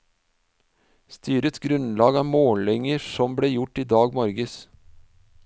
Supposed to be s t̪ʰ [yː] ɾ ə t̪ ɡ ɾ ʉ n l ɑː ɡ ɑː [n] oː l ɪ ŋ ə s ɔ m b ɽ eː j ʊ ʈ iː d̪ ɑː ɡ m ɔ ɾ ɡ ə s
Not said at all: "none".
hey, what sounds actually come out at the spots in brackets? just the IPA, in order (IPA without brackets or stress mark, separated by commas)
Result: yː, m